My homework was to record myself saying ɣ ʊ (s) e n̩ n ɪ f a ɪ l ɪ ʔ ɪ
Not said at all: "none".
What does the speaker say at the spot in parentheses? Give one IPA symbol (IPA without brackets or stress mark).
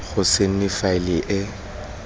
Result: s